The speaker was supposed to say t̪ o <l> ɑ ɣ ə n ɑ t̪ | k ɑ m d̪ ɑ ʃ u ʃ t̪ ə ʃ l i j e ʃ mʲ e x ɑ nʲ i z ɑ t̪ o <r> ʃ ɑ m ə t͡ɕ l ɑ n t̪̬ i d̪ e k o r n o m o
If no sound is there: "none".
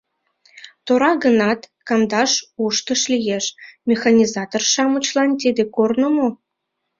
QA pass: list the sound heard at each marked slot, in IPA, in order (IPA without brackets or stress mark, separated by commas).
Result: ɾ, r